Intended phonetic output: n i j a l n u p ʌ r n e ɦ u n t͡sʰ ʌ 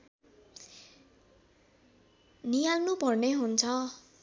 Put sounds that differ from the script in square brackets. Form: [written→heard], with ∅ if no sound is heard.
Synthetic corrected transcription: n i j a l n u p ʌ r n e ɦ u n t͡sʰ ʌ